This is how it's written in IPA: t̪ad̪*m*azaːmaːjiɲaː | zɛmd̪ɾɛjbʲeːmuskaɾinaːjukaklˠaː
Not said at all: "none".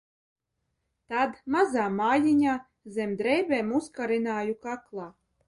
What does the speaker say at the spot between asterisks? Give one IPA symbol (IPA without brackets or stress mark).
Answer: m